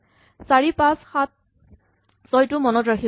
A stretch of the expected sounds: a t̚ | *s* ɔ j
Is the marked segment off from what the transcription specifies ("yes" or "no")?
no